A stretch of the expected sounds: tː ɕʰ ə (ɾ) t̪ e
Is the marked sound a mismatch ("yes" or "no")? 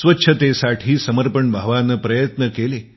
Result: yes